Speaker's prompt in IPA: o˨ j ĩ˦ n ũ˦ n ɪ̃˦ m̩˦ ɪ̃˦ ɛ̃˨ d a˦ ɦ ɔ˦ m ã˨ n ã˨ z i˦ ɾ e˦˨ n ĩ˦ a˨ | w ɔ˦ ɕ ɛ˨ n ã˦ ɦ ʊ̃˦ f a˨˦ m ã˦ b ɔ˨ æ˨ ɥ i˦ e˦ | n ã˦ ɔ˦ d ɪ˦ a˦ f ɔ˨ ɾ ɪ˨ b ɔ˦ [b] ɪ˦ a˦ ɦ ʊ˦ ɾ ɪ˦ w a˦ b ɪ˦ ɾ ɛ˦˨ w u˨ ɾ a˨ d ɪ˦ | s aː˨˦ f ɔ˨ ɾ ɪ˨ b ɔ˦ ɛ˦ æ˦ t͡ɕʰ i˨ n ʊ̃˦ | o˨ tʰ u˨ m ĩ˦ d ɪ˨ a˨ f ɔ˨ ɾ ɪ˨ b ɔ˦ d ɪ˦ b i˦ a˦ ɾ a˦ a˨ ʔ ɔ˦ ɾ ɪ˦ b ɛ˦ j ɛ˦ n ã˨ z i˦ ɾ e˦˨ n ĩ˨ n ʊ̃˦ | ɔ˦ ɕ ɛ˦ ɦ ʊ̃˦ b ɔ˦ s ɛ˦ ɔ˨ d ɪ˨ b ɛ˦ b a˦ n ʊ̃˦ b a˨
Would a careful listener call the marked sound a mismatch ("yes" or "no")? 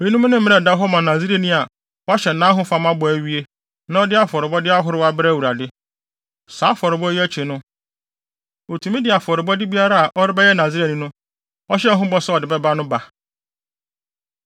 yes